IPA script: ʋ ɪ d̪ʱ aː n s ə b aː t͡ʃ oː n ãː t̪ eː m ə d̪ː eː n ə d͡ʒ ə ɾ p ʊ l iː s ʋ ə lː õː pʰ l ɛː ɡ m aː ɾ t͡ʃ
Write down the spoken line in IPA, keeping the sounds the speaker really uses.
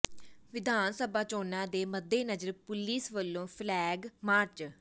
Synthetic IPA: ʋ ɪ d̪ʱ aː n s ə b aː t͡ʃ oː n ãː d̪ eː m ə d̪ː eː n ə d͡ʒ ə ɾ p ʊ l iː s ʋ ə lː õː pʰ l ɛː ɡ m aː ɾ t͡ʃ